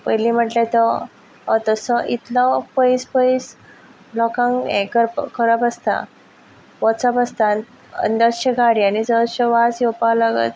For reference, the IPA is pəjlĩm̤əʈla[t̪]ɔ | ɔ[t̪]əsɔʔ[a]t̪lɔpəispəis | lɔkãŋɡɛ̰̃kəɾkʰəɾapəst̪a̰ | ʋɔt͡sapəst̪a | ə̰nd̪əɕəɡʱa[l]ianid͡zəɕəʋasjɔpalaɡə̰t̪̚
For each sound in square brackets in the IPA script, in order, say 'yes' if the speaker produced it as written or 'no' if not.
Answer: yes, yes, no, no

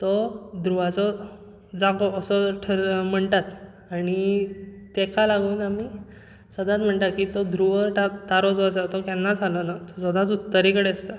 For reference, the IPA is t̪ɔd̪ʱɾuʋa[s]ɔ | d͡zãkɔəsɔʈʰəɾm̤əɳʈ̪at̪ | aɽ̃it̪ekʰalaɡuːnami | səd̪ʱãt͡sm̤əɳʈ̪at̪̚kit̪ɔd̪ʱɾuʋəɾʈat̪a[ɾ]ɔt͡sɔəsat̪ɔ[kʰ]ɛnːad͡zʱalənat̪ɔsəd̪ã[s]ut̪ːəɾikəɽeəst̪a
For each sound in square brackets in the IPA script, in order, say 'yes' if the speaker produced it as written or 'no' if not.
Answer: no, yes, no, no

